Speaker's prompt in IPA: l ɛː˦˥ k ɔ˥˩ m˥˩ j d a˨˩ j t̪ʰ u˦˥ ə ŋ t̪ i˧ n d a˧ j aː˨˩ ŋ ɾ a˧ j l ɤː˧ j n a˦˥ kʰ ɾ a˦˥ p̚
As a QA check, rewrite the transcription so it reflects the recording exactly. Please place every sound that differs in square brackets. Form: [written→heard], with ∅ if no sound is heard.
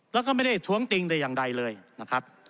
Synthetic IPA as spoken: l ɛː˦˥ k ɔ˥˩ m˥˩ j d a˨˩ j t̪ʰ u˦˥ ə ŋ t̪ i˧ [n→ŋ] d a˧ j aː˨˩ ŋ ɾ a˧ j l ɤː˧ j n a˦˥ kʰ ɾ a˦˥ p̚